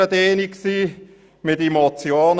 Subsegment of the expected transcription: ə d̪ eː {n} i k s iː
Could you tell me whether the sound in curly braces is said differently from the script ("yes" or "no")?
no